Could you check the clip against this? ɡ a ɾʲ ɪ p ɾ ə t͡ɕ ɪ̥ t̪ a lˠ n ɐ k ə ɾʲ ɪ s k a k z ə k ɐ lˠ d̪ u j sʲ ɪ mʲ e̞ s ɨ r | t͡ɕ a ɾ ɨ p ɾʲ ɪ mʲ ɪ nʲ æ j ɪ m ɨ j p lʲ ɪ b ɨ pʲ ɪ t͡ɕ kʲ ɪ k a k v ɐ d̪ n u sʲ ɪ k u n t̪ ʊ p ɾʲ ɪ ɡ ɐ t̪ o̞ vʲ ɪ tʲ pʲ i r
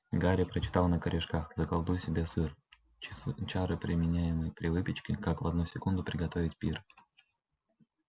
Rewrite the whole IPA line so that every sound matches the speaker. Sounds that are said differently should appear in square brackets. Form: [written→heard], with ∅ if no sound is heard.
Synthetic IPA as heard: ɡ a ɾʲ ɪ p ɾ ə t͡ɕ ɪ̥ t̪ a lˠ n [ɐ→ə] k ə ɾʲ ɪ [s→ʂ] k a [k→x] z ə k ɐ lˠ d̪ u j sʲ ɪ [mʲ→bʲ] e̞ s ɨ r | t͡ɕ a ɾ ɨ p ɾʲ ɪ mʲ ɪ nʲ æ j ɪ m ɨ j p [lʲ→ɾʲ] ɪ [b→v] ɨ pʲ ɪ t͡ɕ kʲ ɪ k a k v ɐ d̪ n u sʲ ɪ k u n [t̪→d̪] ʊ p ɾʲ ɪ ɡ ɐ t̪ o̞ vʲ ɪ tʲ pʲ i r